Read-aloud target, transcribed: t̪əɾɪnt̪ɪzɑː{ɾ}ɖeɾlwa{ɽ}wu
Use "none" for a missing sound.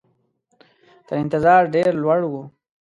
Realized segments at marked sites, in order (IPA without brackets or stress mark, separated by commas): ɾ, ɽ